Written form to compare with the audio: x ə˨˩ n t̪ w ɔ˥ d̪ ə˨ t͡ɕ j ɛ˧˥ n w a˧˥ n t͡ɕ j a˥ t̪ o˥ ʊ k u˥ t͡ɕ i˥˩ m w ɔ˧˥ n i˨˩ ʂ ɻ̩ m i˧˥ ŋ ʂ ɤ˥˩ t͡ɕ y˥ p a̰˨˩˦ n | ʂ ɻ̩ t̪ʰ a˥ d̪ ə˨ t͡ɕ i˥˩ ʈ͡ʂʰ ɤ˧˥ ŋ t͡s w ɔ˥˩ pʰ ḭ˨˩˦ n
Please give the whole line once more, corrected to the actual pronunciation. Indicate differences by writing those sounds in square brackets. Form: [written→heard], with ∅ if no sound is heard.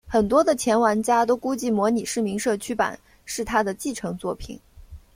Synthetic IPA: x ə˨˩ n t̪ w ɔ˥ d̪ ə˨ [t͡ɕ→t͡ɕʰ] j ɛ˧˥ n w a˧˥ n t͡ɕ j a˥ t̪ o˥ ʊ k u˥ t͡ɕ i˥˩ m w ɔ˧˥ n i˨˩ ʂ ɻ̩ m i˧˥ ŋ ʂ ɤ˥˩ [t͡ɕ→t͡ɕʰ] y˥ p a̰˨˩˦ n | ʂ ɻ̩ t̪ʰ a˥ d̪ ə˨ t͡ɕ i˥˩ ʈ͡ʂʰ ɤ˧˥ ŋ t͡s w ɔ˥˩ pʰ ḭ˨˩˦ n